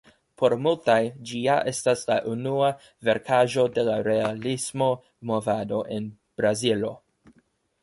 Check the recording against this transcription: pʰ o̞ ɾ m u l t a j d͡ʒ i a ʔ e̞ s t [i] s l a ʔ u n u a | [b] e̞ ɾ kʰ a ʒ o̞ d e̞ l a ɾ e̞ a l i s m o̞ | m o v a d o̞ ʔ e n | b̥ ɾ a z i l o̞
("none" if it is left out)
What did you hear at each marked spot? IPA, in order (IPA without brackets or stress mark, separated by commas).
a, v